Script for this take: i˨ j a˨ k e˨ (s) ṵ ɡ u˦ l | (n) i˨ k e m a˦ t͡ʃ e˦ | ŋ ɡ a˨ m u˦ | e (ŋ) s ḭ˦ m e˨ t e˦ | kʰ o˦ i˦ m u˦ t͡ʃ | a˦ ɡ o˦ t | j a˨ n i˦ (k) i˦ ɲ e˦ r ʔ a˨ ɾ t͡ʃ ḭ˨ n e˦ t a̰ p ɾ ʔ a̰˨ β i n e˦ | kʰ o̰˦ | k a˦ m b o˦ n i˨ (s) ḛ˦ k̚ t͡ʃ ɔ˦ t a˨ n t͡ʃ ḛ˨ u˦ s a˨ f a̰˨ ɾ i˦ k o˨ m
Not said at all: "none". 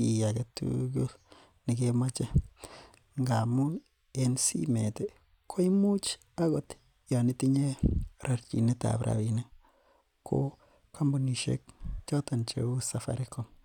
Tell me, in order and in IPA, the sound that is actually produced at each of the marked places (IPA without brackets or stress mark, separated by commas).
t, n, n, t, ʃ